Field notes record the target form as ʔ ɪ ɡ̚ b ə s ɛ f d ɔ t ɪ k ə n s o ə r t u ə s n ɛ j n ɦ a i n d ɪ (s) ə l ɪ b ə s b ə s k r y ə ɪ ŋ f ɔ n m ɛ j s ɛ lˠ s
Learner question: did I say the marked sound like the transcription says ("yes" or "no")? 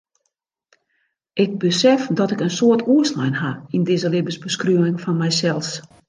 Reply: no